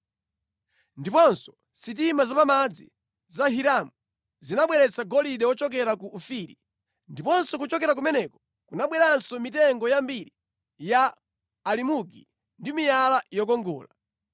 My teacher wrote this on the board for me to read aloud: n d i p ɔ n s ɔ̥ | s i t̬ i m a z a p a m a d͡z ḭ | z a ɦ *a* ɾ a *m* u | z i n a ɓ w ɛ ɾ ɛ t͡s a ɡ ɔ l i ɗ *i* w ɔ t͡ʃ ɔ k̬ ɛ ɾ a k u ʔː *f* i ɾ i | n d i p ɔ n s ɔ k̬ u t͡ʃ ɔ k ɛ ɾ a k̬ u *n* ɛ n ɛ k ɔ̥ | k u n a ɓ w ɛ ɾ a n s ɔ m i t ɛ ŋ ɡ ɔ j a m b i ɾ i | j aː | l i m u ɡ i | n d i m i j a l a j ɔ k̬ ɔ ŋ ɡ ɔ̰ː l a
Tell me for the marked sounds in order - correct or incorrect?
incorrect: i, correct, incorrect: ɛ, correct, incorrect: m

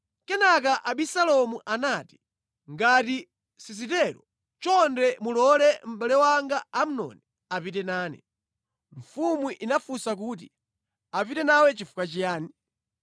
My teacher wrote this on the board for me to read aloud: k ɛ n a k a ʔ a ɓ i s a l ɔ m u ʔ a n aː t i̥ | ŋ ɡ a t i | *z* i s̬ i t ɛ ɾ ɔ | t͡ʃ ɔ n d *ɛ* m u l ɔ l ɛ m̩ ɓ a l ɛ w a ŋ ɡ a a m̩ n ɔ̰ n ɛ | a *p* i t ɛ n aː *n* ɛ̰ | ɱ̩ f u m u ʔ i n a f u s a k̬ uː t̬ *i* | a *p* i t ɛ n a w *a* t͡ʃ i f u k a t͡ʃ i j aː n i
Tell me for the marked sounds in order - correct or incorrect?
incorrect: s, correct, correct, correct, correct, correct, incorrect: ɛ

